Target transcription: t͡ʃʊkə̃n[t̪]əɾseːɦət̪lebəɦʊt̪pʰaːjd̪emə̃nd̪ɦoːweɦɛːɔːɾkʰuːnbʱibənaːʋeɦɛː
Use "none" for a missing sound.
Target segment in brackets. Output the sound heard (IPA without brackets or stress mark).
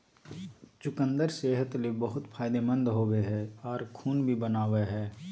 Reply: d̪